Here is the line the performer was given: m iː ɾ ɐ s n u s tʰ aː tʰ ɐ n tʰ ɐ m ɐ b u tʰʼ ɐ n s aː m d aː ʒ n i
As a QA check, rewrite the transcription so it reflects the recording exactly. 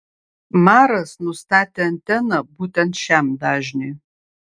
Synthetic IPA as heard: m aː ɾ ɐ s n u s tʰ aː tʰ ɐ n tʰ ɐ n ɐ b u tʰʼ ɐ n ʃ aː m d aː ʒ n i